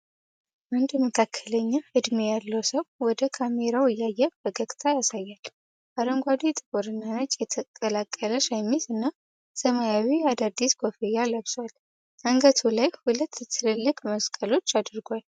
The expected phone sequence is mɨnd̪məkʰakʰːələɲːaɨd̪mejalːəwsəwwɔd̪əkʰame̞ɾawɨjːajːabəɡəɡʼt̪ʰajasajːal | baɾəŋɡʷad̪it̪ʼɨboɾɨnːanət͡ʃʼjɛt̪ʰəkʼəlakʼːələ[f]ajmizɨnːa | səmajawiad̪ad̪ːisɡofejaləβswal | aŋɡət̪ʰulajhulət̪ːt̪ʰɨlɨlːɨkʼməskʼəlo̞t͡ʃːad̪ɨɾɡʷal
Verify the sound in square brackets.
incorrect: ʃ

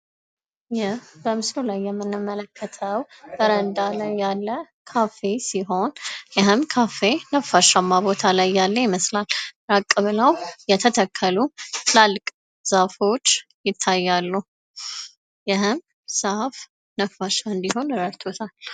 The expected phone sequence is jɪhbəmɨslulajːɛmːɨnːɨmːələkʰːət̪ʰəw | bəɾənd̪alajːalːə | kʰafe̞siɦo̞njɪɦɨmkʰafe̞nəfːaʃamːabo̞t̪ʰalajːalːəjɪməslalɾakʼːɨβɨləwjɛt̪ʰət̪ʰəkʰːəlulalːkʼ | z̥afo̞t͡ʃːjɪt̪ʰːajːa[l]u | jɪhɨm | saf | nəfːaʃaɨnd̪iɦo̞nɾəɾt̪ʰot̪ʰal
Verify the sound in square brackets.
incorrect: lː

